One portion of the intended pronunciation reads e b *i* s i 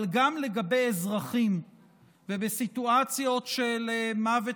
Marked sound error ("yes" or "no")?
yes